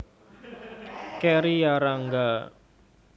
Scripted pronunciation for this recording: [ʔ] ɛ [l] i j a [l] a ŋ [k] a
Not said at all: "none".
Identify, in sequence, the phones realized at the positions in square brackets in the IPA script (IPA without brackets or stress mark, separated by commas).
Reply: k, ɾ, ɾ, ɡ